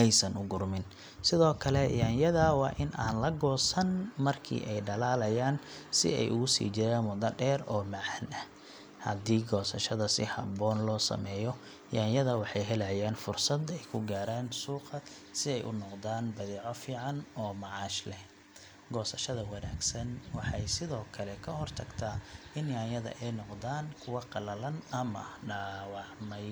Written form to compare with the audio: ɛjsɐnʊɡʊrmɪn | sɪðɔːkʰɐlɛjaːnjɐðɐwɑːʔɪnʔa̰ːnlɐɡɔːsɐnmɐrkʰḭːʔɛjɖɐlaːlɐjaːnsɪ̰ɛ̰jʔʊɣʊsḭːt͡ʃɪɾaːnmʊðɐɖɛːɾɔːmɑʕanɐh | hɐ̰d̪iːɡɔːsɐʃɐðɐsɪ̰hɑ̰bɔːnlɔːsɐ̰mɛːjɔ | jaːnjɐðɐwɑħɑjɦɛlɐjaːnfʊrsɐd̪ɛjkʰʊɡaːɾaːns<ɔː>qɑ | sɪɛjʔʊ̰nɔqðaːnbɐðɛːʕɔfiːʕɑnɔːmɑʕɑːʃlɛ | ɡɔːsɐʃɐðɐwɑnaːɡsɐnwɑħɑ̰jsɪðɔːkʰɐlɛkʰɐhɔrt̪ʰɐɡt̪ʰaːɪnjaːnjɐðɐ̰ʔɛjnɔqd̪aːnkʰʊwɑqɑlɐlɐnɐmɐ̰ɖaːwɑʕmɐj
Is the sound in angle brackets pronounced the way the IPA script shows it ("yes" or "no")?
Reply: no